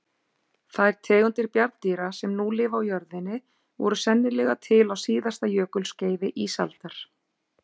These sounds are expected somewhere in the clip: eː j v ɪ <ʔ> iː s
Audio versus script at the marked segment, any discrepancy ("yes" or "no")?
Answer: no